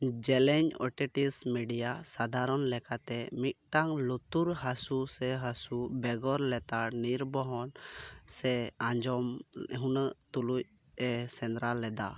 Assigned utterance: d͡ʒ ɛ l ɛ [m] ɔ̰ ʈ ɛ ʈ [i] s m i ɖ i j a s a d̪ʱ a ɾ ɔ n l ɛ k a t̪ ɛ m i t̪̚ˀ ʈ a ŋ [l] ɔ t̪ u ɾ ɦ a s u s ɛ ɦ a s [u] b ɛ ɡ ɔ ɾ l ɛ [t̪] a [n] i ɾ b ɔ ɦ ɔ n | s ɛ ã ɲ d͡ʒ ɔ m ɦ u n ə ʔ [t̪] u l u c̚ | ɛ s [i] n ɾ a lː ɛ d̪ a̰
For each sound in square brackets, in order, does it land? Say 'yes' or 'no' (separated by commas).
no, yes, yes, yes, yes, yes, yes, no